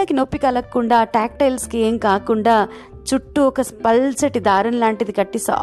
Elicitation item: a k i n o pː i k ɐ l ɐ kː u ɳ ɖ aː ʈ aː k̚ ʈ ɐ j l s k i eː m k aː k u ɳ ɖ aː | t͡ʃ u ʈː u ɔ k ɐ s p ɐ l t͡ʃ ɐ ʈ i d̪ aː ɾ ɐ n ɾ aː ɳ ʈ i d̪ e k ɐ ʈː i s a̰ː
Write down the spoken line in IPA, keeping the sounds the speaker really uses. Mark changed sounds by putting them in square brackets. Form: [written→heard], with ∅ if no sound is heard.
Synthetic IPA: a k i n o pː i k ɐ l ɐ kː u ɳ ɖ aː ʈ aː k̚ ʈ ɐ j l s k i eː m k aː k u ɳ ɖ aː | t͡ʃ u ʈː u ɔ k ɐ s p ɐ l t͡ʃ ɐ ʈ i d̪ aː ɾ ɐ n [ɾ→l] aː ɳ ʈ i d̪ [e→i] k ɐ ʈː i s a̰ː